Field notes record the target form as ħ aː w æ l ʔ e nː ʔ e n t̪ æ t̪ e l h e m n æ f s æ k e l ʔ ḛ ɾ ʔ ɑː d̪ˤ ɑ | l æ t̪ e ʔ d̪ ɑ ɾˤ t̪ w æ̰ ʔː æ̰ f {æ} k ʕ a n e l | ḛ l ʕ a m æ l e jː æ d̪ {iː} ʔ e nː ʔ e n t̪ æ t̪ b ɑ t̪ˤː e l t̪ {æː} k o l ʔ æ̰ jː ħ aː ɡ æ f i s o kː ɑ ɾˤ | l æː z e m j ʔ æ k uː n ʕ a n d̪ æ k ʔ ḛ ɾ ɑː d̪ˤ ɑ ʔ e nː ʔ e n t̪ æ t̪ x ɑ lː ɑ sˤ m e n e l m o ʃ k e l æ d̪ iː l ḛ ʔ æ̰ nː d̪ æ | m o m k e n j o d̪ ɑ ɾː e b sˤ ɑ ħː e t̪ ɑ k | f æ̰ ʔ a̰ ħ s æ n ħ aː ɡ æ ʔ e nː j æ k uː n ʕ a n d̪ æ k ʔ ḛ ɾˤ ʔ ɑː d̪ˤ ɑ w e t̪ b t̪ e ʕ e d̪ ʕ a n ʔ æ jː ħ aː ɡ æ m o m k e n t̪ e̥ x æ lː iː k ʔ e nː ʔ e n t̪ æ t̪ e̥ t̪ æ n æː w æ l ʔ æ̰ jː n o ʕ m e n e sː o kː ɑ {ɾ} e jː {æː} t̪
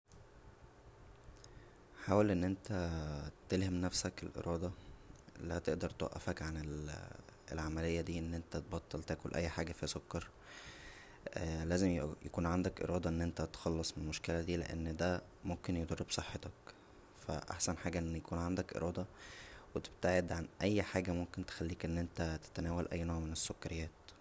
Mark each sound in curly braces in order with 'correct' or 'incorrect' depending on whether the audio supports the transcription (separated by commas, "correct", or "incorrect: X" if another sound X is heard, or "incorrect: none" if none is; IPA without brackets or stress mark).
correct, correct, correct, correct, correct